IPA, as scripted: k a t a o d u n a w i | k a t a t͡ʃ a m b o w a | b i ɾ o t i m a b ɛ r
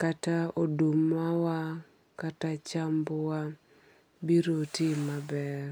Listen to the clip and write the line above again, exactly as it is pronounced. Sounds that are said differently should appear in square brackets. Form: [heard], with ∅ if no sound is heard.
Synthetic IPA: k a t a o d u [m] a w [a] | k a t a t͡ʃ a m b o w a | b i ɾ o t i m a b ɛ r